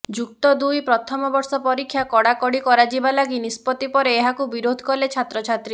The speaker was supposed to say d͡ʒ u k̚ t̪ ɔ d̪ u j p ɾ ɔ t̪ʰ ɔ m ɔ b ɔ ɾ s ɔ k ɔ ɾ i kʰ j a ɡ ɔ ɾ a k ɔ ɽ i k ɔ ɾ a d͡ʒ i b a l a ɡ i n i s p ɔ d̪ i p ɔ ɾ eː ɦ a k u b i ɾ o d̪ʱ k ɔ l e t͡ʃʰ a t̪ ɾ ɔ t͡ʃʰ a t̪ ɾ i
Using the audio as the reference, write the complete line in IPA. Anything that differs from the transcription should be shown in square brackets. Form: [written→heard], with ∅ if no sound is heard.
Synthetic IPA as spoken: d͡ʒ u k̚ t̪ ɔ d̪ u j p ɾ ɔ t̪ʰ ɔ m ɔ b ɔ ɾ s ɔ [k→p] ɔ ɾ i kʰ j a [ɡ→k] ɔ [ɾ→ɽ] a k ɔ ɽ i k ɔ ɾ a d͡ʒ i b a l a ɡ i n i s p ɔ [d̪→t̪] i p ɔ ɾ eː ɦ a k u b i ɾ o d̪ʱ k ɔ l e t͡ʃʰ a t̪ ɾ ɔ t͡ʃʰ a t̪ ɾ i